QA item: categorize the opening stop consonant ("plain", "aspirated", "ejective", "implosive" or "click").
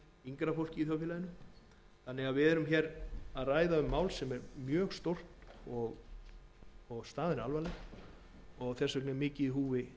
plain